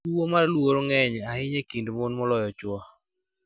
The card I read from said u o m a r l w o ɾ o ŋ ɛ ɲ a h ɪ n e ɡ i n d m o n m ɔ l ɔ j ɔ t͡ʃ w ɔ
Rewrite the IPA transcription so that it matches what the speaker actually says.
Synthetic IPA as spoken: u o m a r l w o ɾ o ŋ ɛ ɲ a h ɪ ɲ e k i n d m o n m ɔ l ɔ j ɔ t͡ʃ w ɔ